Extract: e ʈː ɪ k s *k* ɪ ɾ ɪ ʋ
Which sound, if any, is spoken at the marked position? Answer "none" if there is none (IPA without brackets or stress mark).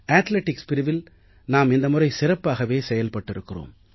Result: p